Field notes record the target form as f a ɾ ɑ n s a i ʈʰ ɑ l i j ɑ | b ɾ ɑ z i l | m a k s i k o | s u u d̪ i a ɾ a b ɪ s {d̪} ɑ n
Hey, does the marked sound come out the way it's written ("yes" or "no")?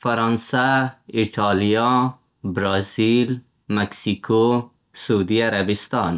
no